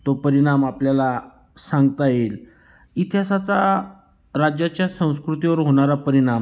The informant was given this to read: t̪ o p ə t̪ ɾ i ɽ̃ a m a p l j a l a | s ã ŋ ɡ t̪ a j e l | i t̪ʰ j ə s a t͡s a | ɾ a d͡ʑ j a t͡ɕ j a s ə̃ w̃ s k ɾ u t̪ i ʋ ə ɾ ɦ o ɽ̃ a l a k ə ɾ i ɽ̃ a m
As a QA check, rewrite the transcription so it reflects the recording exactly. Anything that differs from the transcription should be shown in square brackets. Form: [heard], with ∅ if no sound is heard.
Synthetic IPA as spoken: t̪ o p ə [∅] ɾ i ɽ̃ a m a p l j a l a | s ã ŋ ɡ t̪ a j e l | i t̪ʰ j [a] s a t͡s a | ɾ a d͡ʑ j a t͡ɕ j a s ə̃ w̃ s k ɾ u t̪ i ʋ ə ɾ ɦ o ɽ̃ a [ɾ] a [p] ə ɾ i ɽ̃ a m